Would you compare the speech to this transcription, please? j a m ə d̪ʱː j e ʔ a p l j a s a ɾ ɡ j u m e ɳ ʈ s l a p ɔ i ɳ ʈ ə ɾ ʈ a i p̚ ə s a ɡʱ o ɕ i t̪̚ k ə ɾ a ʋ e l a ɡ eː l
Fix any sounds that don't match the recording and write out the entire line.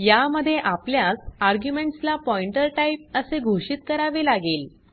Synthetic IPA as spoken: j a m ə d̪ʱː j e ʔ a p l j a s a ɾ ɡ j u m e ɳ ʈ s l a p ɔ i ɳ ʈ ə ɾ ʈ a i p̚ ə s e ɡʱ o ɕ i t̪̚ k ə ɾ a ʋ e l a ɡ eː l